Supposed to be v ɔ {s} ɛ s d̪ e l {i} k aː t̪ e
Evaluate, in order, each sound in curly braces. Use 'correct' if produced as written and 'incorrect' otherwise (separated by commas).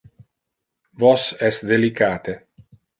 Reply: correct, correct